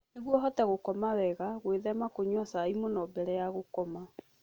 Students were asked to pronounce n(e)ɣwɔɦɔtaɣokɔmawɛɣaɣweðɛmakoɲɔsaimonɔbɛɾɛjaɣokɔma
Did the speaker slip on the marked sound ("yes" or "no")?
no